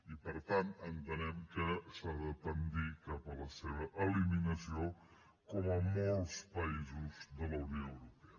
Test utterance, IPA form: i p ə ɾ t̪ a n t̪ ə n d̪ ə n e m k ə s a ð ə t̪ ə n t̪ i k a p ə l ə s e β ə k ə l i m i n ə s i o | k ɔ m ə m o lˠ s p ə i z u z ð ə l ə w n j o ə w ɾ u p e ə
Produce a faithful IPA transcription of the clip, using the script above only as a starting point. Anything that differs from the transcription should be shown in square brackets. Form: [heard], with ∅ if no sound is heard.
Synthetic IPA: i p ə ɾ t̪ a n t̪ ə n [t̪] ə n [ɛ] m k ə s a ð ə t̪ ə n [d̪] i k a p ə l ə s e β ə [ʔ] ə l i m i n ə s i o | k ɔ m ə m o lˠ s p ə i z u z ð ə l ə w n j o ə w ɾ u p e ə